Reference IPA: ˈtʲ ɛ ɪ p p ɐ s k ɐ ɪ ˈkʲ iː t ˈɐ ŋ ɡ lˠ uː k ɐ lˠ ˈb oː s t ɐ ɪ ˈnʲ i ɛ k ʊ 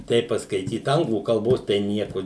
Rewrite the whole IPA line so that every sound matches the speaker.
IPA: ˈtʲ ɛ ɪ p p ɐ s k ɐ ɪ ˈtʲ iː t ˈɐ ŋ ɡ lˠ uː k ɐ lˠ ˈb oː s t ɐ ɪ ˈnʲ i ɛ k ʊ